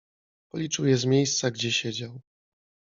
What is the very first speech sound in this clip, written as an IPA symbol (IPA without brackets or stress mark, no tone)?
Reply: p